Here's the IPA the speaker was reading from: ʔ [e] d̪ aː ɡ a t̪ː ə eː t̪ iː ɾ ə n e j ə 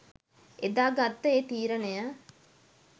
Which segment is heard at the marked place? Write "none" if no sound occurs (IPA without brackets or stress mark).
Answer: e